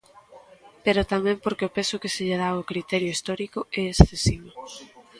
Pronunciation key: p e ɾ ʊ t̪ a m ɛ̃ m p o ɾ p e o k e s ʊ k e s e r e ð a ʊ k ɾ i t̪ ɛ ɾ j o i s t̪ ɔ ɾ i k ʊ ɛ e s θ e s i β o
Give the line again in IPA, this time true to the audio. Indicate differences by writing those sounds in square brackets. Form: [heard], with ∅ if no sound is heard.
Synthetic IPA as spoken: p e ɾ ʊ t̪ a m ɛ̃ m p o ɾ [k] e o [p] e s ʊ k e s e [ʎ] e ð a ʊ k ɾ i t̪ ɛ ɾ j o i s t̪ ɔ ɾ i k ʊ ɛ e s θ e s i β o